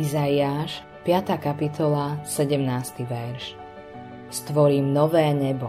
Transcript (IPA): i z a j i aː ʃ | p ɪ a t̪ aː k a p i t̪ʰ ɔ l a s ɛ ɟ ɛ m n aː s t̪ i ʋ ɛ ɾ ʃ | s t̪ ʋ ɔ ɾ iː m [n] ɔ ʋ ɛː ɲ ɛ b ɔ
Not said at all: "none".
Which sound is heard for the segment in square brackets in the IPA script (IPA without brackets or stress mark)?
n